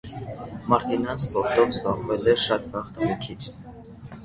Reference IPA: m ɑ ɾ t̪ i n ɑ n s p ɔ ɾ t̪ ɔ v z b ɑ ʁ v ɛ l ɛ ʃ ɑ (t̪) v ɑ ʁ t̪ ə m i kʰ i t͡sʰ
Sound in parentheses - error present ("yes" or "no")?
no